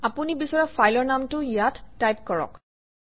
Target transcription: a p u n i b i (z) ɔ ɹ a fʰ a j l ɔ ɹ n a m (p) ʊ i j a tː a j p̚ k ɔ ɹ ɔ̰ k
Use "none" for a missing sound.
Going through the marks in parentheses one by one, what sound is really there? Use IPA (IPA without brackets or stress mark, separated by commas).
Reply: s, t